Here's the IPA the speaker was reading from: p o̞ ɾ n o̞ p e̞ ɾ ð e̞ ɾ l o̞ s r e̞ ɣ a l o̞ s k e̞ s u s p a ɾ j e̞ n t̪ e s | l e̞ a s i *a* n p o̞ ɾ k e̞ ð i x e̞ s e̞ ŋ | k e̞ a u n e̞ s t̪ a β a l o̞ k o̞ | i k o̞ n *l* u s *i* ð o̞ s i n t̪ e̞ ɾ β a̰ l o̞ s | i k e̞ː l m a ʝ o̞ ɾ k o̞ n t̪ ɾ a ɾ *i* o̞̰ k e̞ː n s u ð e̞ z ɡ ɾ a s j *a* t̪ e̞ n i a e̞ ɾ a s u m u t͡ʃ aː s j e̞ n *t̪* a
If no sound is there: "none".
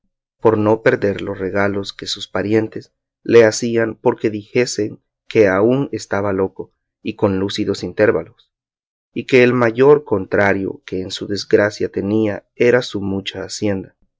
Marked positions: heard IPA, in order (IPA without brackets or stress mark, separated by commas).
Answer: a, l, i, j, a, d̪